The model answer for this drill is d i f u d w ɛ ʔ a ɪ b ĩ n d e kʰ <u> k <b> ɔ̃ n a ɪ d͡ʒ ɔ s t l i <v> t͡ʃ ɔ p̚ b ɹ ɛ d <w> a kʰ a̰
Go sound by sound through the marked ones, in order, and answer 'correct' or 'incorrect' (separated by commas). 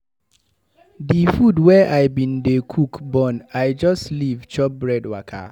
correct, correct, correct, correct